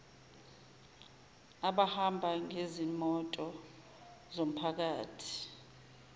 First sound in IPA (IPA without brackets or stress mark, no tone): a